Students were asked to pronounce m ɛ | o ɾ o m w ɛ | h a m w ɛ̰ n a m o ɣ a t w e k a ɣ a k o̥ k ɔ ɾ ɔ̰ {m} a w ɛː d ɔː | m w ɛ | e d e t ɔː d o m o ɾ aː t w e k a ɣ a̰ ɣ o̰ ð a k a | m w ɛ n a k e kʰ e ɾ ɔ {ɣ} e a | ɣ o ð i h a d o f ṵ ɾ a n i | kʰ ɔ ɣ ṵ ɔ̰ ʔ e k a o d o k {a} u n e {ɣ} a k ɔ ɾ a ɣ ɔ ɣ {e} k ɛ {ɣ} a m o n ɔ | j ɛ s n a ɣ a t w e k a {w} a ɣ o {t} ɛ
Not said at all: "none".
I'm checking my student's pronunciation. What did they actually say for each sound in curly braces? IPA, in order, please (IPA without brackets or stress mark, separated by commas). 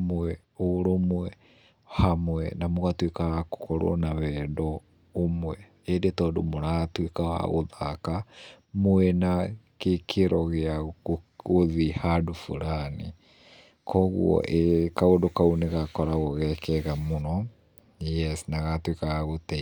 n, ɣ, a, ɣ, ɛ, ɣ, ɣ, t